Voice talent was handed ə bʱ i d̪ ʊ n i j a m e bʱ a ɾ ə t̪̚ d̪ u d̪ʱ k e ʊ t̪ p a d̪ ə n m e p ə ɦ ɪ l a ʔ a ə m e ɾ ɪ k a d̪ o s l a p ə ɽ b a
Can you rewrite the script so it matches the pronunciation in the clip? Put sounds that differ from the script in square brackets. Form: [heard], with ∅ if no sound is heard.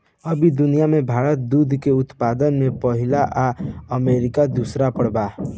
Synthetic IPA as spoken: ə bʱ i d̪ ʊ n i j a m e bʱ a ɾ ə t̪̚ d̪ u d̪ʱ k e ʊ t̪ p a d̪ ə n m e p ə ɦ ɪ l a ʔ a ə m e ɾ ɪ k a d̪ [u] s [ɾ] a p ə ɽ b a